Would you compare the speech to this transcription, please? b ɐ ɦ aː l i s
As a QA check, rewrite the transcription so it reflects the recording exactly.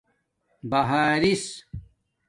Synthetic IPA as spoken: b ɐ ɦ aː ɾ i s